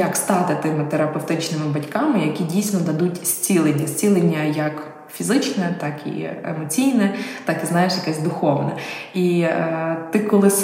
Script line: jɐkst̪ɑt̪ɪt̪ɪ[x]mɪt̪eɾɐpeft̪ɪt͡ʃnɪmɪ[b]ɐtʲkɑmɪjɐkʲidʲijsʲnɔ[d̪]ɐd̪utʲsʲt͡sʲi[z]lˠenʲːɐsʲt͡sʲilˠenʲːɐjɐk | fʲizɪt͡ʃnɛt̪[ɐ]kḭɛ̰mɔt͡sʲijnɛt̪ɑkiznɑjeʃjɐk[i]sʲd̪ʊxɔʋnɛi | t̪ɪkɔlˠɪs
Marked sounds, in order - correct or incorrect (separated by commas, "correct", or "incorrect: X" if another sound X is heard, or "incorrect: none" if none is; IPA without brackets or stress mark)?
incorrect: none, correct, correct, incorrect: none, incorrect: ɑ, incorrect: ɛ